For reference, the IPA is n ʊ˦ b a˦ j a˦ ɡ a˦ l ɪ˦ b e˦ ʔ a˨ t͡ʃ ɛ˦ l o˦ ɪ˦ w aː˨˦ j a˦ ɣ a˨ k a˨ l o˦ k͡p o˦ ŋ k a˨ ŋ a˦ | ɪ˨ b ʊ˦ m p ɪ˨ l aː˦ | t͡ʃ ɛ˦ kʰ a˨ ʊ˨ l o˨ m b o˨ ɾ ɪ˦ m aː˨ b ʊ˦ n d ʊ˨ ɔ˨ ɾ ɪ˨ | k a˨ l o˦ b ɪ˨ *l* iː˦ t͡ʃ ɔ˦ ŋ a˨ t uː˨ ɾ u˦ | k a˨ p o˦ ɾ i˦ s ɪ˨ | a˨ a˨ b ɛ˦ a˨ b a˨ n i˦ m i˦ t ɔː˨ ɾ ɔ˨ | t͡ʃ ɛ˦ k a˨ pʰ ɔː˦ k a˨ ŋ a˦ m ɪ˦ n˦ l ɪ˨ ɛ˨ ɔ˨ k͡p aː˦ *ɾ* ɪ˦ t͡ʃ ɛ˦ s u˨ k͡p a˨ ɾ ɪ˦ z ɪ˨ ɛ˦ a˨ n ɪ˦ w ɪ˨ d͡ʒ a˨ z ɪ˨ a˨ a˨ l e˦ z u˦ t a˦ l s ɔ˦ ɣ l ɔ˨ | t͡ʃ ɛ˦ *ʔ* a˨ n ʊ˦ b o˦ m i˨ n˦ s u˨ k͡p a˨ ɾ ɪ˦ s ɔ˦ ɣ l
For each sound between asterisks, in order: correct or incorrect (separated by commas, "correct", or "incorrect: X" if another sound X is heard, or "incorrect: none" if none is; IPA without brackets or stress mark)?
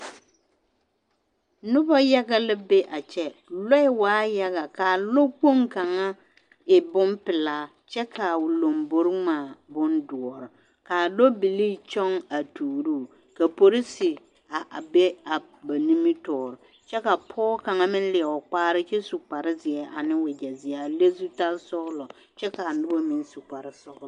correct, correct, incorrect: k